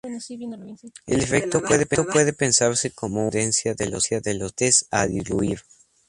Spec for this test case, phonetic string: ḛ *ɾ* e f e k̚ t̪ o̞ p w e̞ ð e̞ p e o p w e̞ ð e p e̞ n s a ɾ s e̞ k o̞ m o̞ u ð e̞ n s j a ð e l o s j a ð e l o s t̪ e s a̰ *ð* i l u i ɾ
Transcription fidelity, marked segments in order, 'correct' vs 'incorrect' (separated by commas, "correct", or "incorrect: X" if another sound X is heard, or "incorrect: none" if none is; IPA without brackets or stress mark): incorrect: l, correct